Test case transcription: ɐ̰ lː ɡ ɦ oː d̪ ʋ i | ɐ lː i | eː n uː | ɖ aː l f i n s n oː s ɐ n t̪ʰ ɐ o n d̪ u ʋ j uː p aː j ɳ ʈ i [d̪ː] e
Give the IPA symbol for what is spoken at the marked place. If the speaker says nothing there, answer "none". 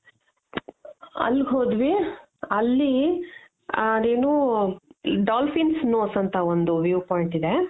d̪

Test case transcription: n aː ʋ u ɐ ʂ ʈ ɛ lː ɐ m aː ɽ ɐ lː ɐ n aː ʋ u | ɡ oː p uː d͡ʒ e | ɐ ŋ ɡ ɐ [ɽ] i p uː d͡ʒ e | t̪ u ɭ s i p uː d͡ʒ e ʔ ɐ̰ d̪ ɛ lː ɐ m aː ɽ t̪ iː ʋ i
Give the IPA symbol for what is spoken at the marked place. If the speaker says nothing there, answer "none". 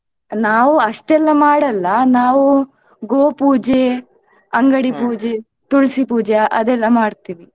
ɽ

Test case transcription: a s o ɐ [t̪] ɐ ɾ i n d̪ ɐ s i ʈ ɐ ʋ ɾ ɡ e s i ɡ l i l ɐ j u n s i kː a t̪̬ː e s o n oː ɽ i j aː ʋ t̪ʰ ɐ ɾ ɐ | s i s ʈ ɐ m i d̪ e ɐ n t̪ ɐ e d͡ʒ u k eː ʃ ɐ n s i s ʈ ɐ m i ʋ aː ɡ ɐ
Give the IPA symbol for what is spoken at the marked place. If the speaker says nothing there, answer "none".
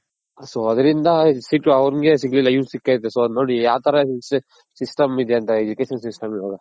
d̪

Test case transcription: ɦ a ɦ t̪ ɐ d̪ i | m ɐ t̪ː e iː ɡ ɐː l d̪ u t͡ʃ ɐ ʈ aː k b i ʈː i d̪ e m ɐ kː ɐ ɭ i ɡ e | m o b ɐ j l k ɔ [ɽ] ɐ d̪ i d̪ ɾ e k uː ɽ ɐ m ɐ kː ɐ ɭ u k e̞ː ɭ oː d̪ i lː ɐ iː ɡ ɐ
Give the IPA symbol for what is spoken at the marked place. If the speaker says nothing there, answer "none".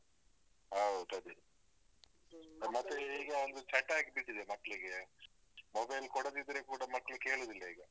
ɽ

